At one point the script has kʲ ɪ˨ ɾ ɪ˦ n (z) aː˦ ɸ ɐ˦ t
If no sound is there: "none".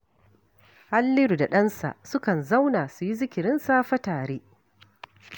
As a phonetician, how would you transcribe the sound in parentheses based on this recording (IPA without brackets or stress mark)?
s